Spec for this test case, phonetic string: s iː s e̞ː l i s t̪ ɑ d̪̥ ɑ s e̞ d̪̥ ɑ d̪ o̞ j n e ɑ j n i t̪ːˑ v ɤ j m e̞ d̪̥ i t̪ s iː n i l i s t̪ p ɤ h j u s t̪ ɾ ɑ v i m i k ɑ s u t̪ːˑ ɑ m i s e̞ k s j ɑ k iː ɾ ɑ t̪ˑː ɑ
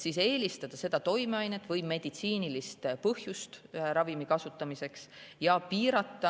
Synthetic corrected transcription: s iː s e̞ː l i s t̪ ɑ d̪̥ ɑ s e̞ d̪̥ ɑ t̪ o̞ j m e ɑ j n e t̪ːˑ v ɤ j m e̞ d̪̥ i t̪ s iː n i l i s t̪ p ɤ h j u s t̪ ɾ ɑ v i m i k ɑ s u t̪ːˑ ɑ m i s e̞ k s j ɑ p iː ɾ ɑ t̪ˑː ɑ